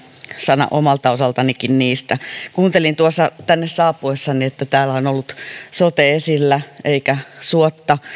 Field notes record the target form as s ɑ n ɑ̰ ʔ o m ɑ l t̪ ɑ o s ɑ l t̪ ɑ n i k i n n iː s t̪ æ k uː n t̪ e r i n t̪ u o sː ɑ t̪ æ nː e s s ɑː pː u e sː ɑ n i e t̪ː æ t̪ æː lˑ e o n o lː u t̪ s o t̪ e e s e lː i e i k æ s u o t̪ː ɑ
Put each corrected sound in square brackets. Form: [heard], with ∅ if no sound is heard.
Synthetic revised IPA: s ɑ n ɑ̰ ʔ o m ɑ l t̪ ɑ o s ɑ l t̪ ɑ n i k i n n iː s t̪ æ k uː n t̪ e [l] i n t̪ u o sː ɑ t̪ æ nː e s s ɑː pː u e sː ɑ n i e t̪ː æ t̪ æː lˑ [æ] o n o lː u t̪ s o t̪ e e s [i] lː [æ] e i k æ s u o t̪ː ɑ